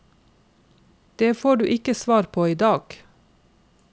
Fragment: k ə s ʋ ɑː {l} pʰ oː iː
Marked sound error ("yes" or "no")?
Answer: yes